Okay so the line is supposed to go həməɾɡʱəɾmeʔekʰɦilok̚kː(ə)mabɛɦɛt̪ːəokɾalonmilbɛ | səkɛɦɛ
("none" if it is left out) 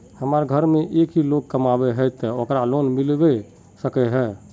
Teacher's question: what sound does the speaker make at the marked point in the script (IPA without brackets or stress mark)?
ə